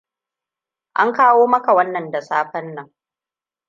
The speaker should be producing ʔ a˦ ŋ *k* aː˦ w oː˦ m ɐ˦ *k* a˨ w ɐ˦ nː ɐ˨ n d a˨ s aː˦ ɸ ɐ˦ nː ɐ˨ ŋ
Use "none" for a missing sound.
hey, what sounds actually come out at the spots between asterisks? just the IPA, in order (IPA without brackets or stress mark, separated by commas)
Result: k, k